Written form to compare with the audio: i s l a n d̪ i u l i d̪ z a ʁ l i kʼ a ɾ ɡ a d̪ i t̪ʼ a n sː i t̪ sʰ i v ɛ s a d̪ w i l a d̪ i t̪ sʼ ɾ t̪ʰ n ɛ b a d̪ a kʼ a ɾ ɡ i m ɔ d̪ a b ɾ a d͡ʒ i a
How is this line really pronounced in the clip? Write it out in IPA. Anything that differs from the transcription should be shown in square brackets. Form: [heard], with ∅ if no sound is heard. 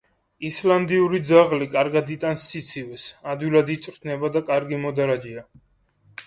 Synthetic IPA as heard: i s l a n d̪ i u [ɾ] i d̪ z a ʁ l i kʼ a ɾ ɡ a d̪ i t̪ʼ a n sː i t̪ sʰ i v ɛ s a d̪ w i l a d̪ i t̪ sʼ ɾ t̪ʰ n ɛ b a d̪ a kʼ a ɾ ɡ i m ɔ d̪ a [∅] ɾ a d͡ʒ i a